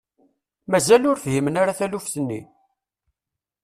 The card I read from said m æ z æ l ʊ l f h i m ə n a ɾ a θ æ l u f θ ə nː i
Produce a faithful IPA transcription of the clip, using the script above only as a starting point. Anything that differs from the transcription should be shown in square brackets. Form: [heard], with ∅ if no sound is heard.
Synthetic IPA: m æ z æ l ʊ [ɾ] f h i m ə n a ɾ a θ æ l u f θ ə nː i